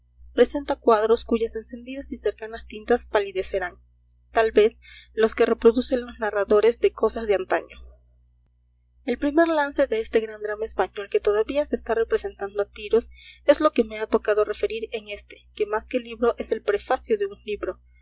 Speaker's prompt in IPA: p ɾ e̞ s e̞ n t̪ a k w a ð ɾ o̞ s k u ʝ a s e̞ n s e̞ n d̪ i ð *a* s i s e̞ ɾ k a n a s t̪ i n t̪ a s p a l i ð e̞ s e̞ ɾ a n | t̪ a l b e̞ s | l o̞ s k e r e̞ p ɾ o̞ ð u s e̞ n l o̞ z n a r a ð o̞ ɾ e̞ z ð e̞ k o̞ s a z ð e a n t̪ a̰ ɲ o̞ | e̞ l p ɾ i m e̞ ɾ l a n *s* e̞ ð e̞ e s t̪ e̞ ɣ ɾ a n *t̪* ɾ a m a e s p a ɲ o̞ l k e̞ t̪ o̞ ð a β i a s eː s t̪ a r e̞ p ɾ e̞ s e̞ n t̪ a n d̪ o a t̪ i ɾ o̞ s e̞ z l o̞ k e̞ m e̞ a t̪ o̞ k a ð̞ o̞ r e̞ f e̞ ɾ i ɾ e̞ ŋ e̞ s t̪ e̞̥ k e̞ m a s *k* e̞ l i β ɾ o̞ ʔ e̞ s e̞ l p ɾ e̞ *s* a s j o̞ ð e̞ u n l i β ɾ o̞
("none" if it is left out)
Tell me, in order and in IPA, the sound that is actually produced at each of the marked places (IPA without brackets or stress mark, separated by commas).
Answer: a, s, d̪, k, f